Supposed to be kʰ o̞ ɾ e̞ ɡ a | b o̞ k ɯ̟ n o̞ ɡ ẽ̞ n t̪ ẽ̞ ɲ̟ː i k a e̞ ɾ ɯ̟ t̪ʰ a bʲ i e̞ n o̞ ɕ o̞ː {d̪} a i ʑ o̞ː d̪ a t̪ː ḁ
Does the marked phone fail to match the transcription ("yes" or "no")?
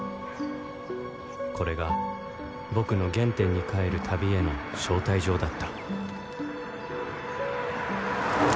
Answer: yes